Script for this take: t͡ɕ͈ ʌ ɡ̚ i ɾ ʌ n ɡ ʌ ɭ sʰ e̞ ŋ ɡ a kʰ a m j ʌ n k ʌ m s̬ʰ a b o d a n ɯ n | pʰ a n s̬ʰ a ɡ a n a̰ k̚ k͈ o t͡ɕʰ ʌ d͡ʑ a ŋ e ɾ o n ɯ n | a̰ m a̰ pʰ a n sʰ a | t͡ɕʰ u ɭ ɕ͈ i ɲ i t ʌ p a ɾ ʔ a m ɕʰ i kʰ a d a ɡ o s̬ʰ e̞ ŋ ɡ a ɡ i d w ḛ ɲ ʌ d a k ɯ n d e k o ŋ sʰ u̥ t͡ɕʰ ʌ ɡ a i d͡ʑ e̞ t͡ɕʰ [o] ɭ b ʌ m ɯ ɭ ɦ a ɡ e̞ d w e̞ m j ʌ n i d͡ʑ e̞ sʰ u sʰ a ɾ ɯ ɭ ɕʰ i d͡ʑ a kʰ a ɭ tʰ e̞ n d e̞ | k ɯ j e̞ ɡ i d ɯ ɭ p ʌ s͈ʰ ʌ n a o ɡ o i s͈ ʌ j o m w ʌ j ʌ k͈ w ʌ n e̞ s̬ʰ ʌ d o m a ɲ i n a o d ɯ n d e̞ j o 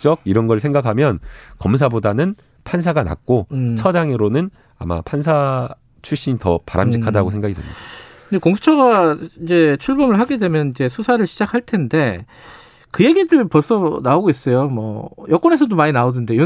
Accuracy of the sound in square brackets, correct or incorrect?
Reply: incorrect